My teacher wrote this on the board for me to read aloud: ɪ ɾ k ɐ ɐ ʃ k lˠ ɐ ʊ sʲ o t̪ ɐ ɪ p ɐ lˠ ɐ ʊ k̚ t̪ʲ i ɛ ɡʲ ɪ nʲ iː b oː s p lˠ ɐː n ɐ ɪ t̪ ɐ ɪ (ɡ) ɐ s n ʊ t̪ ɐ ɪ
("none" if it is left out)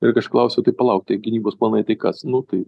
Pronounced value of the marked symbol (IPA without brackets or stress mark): k